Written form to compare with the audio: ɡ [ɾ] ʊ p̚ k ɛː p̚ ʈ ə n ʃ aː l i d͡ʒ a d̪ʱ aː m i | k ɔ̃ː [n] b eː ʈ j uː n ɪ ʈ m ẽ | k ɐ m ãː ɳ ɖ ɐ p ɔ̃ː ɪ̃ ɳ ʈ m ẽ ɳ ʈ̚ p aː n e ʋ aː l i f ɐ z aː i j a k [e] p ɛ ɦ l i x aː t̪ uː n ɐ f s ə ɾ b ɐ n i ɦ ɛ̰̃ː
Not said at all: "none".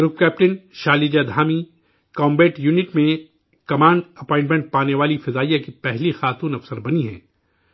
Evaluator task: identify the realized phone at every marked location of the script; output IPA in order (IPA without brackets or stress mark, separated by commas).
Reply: ɾ, m, i